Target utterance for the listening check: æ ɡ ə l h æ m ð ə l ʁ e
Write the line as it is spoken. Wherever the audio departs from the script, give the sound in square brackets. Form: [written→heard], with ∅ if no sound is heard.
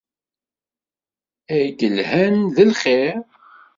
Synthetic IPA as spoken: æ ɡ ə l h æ [m→n] ð ə l [ʁ→χ] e